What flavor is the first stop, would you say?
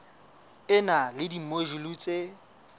plain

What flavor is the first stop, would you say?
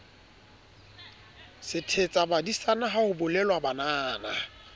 aspirated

